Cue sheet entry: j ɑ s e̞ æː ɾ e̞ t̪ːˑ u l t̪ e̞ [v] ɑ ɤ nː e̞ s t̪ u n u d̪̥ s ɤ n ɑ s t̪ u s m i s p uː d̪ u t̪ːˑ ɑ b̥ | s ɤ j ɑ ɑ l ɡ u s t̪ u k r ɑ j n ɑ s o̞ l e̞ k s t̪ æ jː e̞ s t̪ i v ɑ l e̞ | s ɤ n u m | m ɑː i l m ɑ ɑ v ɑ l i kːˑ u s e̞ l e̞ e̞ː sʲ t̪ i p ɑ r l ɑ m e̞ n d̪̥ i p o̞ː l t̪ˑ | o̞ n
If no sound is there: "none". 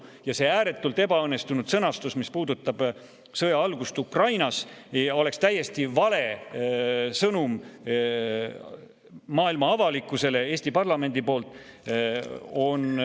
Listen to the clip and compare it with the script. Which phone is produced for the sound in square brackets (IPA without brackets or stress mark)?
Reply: b